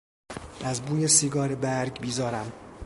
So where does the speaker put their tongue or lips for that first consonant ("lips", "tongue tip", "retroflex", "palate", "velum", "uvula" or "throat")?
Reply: tongue tip